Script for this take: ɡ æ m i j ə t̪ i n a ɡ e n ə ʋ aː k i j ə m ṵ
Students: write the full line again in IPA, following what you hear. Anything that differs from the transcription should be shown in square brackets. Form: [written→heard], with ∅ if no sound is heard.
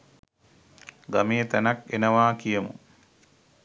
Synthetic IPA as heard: ɡ [æ→a] m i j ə t̪ [i→æ] n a [ɡ→k] e n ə ʋ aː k i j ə m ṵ